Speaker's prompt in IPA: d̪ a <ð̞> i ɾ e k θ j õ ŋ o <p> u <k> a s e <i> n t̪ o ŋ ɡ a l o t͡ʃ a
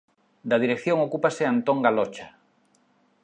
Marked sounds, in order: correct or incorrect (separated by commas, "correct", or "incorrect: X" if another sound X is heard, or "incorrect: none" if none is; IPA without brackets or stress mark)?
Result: correct, incorrect: k, incorrect: p, incorrect: a